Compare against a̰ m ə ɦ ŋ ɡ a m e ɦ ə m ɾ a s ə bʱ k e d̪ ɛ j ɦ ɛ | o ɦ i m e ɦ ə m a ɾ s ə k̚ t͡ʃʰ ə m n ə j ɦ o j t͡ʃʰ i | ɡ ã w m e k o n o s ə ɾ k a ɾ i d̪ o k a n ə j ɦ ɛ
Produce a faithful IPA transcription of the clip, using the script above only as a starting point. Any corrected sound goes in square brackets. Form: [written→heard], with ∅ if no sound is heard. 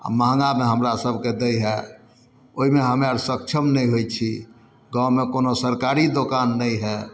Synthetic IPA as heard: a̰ m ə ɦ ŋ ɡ a m e ɦ ə m ɾ a s ə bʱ k e d̪ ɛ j ɦ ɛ | o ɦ i m e ɦ ə m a ɾ s ə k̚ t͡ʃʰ ə m n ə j ɦ o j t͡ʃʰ i | ɡ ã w m e k o n o s ə ɾ k a ɾ i d̪ o k a [n→nː] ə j ɦ ɛ